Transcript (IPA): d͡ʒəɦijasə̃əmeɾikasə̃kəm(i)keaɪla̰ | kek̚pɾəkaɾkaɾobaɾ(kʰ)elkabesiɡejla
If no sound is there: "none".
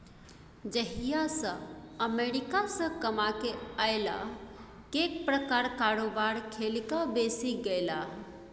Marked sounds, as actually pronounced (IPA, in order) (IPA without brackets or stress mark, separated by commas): a, kʰ